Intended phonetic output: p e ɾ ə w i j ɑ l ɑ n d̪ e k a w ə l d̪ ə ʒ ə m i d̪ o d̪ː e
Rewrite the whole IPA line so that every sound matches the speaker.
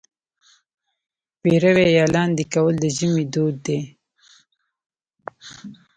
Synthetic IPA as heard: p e ɾ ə w e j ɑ l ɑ n d̪ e k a w ə l d̪ ə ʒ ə m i d̪ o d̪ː e